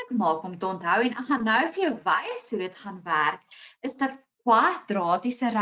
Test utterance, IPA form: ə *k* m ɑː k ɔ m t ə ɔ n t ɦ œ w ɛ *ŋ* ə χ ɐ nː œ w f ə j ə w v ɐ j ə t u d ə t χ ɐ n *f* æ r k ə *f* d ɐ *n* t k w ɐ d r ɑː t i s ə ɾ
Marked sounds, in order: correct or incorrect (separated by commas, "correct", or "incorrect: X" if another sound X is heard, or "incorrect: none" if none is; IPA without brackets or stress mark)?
correct, incorrect: n, incorrect: v, incorrect: s, incorrect: none